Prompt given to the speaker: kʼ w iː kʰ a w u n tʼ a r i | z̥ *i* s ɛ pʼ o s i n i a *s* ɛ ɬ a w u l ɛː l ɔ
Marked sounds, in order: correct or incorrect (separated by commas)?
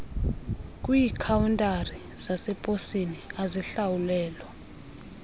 incorrect, incorrect